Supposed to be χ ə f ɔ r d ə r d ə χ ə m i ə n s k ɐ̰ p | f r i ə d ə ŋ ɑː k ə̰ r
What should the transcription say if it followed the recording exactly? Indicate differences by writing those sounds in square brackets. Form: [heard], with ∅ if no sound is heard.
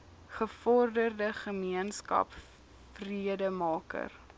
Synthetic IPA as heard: χ ə f ɔ r d ə r d ə χ ə m i ə n s k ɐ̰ p | f r i ə d ə [m] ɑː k ə̰ r